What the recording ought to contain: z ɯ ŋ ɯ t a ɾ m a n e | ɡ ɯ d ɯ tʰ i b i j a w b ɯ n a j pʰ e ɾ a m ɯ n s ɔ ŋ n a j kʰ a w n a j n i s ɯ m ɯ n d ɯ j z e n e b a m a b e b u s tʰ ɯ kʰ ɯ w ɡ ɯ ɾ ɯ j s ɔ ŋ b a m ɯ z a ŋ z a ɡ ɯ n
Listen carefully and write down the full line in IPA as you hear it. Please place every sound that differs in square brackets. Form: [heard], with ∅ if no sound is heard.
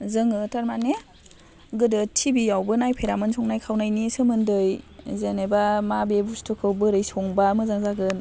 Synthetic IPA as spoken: z ɯ ŋ ɯ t a ɾ m a n e | ɡ ɯ d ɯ tʰ i b i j a w b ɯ n a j pʰ e ɾ a m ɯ n s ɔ ŋ n a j kʰ a w n a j n i s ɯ m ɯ n d ɯ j z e n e b a m a b e b u s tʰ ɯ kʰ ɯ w [b] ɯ ɾ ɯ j s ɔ ŋ b a m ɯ z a ŋ z a ɡ ɯ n